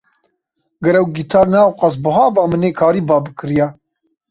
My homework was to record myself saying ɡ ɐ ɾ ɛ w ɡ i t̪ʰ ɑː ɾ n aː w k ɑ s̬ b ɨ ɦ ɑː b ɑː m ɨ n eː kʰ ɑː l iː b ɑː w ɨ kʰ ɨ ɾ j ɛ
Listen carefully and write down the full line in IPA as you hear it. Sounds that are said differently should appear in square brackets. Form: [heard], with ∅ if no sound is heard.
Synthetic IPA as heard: ɡ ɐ ɾ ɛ w ɡ i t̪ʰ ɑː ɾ n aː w [q] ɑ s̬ b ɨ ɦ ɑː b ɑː m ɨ n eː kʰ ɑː [ɾ] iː b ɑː [b] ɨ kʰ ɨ ɾ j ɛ